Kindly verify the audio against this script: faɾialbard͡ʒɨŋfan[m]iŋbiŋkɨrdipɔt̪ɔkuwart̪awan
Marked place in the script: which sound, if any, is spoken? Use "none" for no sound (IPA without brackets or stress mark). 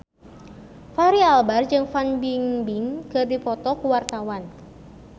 b